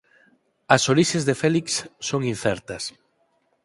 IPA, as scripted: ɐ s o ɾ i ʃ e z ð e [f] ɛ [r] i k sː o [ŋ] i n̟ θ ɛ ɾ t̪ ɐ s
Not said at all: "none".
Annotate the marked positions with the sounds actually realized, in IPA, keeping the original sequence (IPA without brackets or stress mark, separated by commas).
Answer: f, l, ŋ